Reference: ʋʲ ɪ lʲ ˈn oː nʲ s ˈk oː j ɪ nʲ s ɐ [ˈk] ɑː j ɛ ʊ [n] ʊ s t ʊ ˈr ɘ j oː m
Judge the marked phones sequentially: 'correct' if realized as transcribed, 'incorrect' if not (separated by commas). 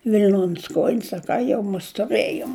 correct, incorrect